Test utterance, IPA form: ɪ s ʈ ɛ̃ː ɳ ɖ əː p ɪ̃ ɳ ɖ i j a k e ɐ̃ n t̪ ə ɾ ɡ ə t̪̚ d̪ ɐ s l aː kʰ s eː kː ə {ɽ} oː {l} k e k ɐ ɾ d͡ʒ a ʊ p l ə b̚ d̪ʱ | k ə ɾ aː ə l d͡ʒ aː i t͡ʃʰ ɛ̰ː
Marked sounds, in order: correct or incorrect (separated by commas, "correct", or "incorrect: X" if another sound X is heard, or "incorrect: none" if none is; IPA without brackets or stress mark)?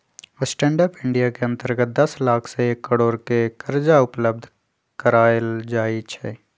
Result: correct, incorrect: ɾ